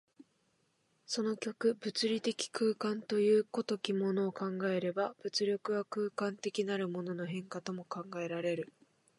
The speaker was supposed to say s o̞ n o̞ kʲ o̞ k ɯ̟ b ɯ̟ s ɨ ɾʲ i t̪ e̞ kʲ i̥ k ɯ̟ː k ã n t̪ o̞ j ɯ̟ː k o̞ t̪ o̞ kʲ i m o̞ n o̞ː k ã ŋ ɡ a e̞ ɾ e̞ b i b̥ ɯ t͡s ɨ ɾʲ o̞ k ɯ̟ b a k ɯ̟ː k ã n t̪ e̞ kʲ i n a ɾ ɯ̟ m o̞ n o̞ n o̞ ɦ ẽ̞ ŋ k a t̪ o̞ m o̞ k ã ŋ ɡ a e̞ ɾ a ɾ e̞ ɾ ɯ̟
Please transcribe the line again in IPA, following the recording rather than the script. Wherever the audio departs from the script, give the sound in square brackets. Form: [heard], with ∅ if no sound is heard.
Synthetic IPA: s o̞ n o̞ kʲ o̞ k ɯ̟ b ɯ̟ [t͡s] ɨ ɾʲ i t̪ e̞ kʲ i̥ k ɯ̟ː k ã n t̪ o̞ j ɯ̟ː k o̞ t̪ o̞ kʲ i m o̞ n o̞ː k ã ŋ ɡ a e̞ ɾ e̞ b [a] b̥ ɯ t͡s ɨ ɾʲ o̞ k ɯ̟ [β] a k ɯ̟ː k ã n t̪ e̞ kʲ i n a ɾ ɯ̟ m o̞ n o̞ n o̞ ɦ ẽ̞ ŋ k a t̪ o̞ m o̞ k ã ŋ ɡ a e̞ ɾ a ɾ e̞ ɾ ɯ̟